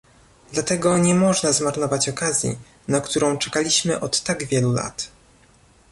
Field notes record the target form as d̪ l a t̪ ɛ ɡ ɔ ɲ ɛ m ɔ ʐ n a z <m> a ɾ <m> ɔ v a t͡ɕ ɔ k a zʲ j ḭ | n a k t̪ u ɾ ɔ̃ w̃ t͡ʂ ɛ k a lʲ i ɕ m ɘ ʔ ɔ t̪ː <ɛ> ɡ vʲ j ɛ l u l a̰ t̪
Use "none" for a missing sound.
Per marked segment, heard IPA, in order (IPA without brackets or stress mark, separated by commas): m, n, a